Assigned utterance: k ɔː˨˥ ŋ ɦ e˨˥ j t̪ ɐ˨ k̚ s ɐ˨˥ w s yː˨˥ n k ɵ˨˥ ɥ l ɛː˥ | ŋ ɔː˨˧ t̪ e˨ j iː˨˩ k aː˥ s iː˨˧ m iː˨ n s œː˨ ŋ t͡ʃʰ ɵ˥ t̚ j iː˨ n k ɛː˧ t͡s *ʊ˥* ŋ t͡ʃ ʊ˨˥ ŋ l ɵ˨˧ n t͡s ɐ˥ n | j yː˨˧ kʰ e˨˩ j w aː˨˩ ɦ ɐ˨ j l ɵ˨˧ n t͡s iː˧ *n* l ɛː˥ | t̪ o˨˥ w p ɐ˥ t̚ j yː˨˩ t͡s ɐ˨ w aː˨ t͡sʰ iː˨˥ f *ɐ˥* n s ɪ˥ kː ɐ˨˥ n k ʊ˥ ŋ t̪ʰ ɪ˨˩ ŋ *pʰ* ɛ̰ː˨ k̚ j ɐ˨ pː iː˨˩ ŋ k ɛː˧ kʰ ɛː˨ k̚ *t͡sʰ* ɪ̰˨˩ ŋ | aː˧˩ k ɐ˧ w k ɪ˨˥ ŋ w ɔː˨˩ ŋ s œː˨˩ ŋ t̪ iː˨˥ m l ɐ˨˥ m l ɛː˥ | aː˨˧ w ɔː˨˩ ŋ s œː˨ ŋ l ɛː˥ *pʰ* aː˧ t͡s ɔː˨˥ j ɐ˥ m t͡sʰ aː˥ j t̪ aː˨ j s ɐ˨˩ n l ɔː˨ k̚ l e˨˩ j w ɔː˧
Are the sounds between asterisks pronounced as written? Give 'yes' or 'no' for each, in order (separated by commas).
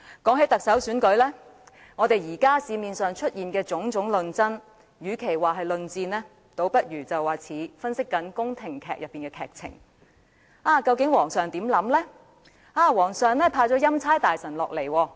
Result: no, yes, yes, no, yes, yes